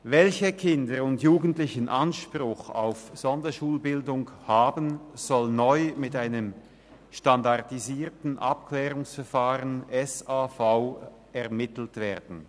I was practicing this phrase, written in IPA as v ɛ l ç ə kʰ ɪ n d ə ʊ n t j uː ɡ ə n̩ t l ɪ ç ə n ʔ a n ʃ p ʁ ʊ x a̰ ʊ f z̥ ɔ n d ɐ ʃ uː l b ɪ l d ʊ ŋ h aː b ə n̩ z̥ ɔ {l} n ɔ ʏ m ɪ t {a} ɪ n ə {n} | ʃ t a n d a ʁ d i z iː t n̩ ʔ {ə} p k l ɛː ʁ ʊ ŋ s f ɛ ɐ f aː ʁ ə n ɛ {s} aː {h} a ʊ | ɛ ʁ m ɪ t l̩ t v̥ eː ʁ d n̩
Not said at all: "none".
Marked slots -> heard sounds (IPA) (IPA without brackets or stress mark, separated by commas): l, a, m, a, s, f